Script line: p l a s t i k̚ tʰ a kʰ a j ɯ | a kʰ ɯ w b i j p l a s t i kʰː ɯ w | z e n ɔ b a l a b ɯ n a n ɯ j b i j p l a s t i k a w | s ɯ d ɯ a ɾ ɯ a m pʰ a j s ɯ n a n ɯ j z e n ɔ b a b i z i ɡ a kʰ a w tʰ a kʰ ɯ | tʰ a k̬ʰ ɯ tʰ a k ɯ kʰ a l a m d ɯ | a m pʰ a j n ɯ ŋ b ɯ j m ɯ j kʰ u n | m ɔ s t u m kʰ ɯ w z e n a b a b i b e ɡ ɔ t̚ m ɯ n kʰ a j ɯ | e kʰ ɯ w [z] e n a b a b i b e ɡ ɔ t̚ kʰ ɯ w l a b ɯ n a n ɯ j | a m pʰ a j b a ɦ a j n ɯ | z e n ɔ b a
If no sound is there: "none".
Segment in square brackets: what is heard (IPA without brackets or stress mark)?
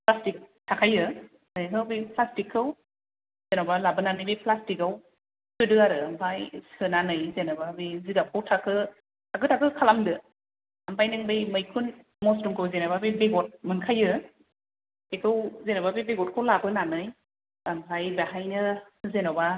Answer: z